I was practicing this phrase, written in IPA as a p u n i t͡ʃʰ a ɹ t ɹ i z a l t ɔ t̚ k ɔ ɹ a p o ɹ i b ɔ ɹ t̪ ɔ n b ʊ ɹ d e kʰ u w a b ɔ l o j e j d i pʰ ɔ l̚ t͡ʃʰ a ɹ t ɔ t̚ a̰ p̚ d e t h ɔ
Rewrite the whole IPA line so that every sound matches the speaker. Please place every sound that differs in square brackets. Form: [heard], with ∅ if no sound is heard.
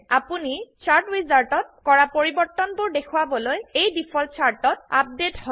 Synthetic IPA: a p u n i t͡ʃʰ a ɹ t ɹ i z a l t ɔ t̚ k ɔ ɹ a p o ɹ i b ɔ ɹ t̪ ɔ n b ʊ ɹ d e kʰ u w a b ɔ l o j e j d i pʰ ɔ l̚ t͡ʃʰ a ɹ t ɔ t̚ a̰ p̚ d e t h ɔ